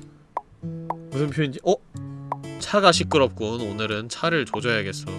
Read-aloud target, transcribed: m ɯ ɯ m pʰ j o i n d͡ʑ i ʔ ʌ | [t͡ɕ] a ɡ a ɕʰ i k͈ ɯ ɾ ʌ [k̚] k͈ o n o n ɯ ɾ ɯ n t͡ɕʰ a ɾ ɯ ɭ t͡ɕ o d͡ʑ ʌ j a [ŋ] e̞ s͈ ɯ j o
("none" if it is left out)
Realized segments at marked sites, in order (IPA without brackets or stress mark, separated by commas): t͡ɕʰ, p̚, ɡ